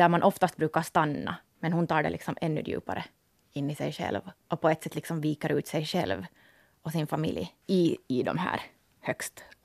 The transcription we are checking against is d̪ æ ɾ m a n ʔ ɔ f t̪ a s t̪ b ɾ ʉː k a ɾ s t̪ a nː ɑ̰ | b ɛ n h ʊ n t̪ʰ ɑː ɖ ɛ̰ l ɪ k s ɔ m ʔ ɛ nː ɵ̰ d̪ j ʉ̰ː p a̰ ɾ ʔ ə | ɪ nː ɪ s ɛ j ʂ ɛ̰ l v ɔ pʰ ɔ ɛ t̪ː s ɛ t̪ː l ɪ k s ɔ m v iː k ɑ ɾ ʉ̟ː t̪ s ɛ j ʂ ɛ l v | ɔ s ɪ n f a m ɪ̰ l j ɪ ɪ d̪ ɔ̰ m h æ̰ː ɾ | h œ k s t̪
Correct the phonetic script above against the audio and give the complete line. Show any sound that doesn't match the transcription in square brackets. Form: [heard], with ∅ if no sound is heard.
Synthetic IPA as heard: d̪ æ ɾ m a n ʔ ɔ f t̪ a s t̪ b ɾ ʉː k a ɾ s t̪ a nː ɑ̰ | [m] ɛ n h ʊ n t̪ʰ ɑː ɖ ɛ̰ l ɪ k s ɔ m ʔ ɛ nː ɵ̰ d̪ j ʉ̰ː p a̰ ɾ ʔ ə | ɪ nː ɪ s ɛ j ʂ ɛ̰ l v ɔ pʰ ɔ ɛ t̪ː s ɛ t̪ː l ɪ k s ɔ m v iː k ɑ ɾ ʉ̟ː t̪ s ɛ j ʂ ɛ l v | ɔ s ɪ n f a m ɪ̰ l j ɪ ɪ d̪ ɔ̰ m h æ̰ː ɾ | h œ k s t̪